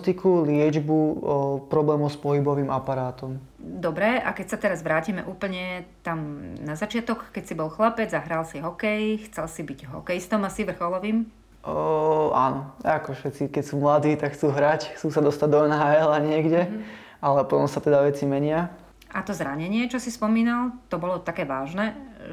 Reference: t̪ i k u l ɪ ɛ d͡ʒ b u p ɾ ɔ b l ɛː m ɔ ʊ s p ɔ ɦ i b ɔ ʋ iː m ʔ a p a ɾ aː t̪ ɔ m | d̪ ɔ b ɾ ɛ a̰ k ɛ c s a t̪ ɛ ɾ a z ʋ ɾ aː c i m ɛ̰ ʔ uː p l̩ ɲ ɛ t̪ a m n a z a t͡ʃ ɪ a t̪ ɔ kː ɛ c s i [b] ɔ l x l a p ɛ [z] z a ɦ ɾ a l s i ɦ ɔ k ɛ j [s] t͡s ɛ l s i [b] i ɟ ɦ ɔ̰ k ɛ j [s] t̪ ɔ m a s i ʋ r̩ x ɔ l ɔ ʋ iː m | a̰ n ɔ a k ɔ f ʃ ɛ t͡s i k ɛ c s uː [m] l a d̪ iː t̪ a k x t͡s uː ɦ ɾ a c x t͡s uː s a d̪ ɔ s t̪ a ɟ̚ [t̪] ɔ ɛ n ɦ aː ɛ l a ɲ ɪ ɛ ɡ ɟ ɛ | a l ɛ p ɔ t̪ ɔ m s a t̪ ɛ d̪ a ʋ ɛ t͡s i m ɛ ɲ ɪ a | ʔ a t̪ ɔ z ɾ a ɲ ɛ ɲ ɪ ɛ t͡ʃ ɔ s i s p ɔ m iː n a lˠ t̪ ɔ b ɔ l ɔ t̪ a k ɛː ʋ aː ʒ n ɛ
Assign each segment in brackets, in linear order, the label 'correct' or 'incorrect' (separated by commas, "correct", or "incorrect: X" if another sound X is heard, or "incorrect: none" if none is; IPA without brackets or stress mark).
correct, incorrect: d͡z, incorrect: x, correct, correct, correct, incorrect: d̪